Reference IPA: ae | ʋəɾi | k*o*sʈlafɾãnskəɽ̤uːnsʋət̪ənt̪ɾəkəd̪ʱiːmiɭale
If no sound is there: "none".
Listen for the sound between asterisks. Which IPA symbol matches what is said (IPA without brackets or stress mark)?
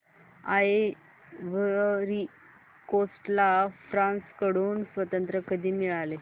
o